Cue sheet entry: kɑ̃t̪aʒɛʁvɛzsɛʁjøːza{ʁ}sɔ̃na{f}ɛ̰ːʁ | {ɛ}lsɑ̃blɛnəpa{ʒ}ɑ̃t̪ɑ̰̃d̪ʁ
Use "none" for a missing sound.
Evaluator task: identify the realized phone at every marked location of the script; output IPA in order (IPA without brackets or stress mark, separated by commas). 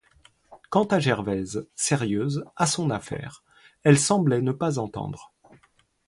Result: none, f, ɛ, z